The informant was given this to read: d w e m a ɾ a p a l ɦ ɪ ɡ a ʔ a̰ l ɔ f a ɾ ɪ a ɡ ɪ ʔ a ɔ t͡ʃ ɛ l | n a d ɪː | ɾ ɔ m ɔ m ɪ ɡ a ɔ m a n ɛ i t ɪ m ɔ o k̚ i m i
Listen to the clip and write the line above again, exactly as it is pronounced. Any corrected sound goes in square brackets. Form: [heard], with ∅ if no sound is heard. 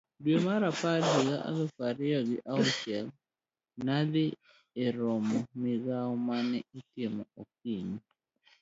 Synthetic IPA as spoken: d w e m a ɾ a p a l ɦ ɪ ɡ a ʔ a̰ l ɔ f a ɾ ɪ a ɡ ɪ ʔ a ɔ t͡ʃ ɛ l | n a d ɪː | ɾ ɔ m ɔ m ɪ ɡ a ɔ m a n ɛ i t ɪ m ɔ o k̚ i [ɲ] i